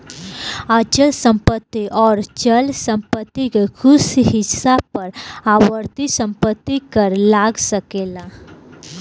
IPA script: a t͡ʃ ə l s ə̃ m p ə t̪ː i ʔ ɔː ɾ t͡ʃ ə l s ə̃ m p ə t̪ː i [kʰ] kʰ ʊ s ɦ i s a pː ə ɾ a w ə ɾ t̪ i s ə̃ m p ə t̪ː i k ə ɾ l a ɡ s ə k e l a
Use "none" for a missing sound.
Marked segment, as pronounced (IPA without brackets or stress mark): k